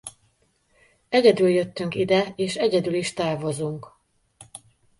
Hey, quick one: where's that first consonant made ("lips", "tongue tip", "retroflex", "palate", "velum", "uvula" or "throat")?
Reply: palate